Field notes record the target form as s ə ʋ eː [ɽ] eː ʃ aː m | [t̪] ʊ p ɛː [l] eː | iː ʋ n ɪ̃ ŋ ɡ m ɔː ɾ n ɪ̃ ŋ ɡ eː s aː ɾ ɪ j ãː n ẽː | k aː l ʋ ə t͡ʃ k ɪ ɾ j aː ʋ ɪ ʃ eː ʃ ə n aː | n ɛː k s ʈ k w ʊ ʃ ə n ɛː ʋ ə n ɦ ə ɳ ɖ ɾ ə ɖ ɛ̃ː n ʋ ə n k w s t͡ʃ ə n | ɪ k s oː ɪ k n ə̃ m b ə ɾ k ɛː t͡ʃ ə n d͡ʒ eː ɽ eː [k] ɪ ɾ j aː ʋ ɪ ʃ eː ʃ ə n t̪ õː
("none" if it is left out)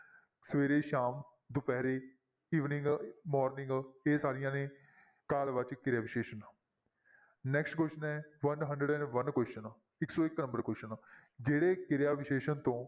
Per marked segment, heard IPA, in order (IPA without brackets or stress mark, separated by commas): ɾ, d̪, ɾ, k